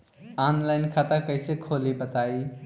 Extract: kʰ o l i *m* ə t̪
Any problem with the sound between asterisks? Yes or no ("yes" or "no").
yes